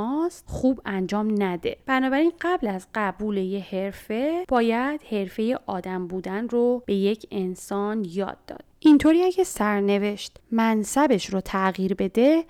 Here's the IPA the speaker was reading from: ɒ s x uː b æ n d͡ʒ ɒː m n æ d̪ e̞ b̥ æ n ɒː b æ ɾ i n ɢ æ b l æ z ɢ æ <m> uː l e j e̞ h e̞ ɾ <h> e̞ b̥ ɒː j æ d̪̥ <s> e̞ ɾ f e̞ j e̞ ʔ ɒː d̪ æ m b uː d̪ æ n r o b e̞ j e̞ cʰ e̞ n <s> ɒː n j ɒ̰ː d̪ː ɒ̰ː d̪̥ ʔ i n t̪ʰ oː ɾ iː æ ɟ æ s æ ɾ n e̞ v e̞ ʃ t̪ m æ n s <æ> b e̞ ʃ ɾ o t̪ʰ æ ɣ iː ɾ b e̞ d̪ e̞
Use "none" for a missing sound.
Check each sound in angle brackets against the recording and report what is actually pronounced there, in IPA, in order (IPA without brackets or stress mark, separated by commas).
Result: b, f, h, s, æ